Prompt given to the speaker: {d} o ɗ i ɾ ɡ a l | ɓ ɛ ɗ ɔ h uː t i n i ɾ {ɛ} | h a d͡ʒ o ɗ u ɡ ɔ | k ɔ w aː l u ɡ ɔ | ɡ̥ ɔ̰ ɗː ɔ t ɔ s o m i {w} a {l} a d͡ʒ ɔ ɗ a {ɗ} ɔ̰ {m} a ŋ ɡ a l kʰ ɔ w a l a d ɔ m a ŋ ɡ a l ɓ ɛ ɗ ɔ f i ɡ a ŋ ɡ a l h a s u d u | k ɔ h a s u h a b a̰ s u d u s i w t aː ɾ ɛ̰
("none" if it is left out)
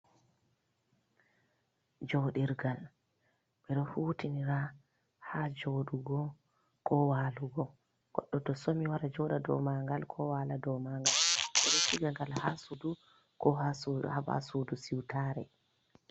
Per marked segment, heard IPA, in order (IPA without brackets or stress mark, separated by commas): d͡ʒ, a, w, ɾ, d, m